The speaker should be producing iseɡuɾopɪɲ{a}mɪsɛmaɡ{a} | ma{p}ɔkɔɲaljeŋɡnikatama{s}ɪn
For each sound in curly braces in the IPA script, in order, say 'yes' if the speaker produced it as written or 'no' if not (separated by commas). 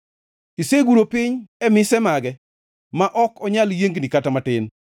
no, no, no, no